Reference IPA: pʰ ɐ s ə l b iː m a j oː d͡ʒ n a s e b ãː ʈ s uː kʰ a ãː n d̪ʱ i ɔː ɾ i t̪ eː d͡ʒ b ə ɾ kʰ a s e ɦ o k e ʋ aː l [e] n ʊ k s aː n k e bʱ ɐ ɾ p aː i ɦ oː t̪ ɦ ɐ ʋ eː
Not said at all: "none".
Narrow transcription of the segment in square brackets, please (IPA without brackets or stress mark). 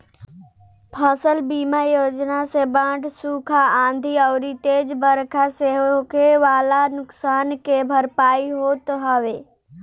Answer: a